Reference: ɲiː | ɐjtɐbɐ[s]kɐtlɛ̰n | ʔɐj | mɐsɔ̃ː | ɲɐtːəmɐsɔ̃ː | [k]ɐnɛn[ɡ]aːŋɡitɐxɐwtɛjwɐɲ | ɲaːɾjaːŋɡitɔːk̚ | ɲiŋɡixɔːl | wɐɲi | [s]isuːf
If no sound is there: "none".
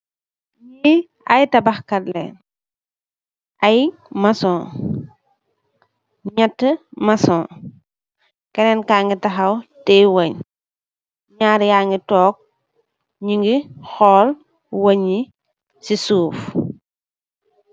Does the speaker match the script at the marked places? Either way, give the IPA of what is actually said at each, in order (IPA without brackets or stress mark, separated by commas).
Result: x, k, k, s